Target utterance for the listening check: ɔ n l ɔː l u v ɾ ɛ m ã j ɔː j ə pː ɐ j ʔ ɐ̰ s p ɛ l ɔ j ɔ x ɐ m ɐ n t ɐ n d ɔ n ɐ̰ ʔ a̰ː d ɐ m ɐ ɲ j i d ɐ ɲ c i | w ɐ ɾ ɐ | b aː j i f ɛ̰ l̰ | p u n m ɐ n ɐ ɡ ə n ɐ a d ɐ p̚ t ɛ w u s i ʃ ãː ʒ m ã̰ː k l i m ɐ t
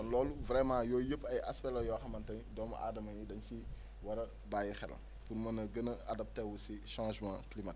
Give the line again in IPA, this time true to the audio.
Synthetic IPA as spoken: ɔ n l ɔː l u v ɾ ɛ m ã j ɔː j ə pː ɐ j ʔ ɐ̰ s p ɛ l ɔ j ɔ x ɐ m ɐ n t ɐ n d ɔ m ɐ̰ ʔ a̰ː d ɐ m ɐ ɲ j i d ɐ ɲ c i | w ɐ ɾ ɐ | b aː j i x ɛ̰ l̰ | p u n m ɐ n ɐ ɡ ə n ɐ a d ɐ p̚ t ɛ w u s i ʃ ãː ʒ m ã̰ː k l i m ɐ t

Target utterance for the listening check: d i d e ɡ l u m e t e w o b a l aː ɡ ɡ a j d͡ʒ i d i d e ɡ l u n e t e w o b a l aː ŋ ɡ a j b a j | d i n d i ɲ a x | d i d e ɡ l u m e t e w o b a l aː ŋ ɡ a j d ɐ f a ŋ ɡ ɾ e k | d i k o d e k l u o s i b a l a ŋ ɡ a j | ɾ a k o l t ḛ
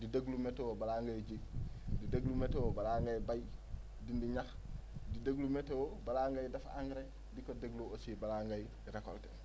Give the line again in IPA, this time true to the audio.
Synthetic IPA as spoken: d i d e ɡ l u m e t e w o b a l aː ŋ ɡ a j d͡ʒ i d i d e ɡ l u m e t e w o b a l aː ŋ ɡ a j b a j | d i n d i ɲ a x | d i d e ɡ l u m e t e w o b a l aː ŋ ɡ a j d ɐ f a ŋ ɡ ɾ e | d i k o d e ɡ l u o s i b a l a ŋ ɡ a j | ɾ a k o l t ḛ

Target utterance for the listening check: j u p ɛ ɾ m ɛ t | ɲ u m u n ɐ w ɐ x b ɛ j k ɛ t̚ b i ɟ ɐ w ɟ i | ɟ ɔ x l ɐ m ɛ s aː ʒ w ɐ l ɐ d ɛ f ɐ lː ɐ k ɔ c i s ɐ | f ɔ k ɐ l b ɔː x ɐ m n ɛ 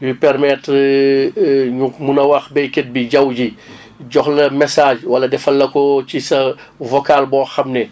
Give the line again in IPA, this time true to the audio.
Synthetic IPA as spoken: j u p ɛ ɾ m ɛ t | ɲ u m u n ɐ w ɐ x b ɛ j k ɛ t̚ b i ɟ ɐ w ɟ i | ɟ ɔ x l ɐ m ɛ s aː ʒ w ɐ l ɐ d ɛ f ɐ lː ɐ k ɔ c i s ɐ | v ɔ k a l b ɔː x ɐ m n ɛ

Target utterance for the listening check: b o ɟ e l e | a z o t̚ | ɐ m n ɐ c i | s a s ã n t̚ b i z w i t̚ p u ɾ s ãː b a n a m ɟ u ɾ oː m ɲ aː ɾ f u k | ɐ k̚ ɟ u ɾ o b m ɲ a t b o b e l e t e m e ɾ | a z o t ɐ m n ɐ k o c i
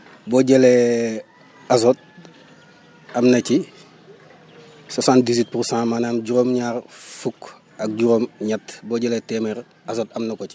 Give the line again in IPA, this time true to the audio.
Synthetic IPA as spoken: b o ɟ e l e | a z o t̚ | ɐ m n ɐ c i | s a s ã n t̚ d i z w i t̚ p u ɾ s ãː m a n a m ɟ u ɾ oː m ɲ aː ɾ f u k | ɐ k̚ ɟ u ɾ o m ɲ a t b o ɟ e l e t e m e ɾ | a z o t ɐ m n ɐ k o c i

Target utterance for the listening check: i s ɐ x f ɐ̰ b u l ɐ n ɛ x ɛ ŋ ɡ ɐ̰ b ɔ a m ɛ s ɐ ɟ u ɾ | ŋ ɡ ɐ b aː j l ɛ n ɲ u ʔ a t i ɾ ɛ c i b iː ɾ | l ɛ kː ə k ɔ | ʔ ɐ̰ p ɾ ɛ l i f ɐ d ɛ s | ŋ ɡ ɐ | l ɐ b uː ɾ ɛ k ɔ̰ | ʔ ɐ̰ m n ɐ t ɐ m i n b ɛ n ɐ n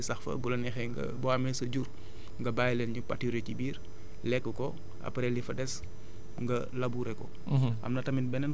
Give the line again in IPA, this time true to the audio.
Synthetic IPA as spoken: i s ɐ x f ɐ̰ b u l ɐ n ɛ x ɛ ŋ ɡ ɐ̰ b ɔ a m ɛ s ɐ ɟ u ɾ | ŋ ɡ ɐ b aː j l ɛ n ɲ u p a t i ɾ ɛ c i b iː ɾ | l ɛ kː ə k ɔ | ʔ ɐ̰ p ɾ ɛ l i f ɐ d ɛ s | ŋ ɡ ɐ | l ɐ b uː ɾ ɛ k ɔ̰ | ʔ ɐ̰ m n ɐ t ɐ m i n b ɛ n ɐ n

